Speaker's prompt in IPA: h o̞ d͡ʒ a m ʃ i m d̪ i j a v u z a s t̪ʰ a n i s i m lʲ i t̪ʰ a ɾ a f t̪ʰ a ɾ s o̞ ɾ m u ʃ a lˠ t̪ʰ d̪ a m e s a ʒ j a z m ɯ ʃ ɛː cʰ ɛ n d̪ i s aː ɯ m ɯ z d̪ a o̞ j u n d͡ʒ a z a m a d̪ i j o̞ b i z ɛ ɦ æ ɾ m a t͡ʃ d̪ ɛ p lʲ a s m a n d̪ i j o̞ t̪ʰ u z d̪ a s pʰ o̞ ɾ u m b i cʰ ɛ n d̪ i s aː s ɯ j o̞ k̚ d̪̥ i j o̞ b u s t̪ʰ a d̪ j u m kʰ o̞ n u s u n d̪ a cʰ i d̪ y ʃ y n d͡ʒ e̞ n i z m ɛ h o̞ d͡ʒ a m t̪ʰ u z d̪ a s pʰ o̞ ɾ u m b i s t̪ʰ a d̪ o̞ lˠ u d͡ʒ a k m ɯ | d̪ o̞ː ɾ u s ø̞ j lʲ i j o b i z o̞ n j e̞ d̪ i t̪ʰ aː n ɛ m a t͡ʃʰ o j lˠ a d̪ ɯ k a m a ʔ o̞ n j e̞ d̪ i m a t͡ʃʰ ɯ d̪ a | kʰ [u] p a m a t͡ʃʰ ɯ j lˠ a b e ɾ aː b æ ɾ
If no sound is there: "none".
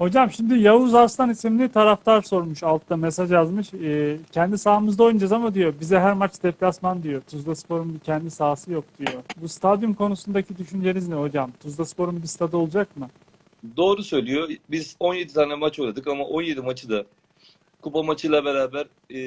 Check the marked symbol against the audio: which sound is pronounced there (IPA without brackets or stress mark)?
u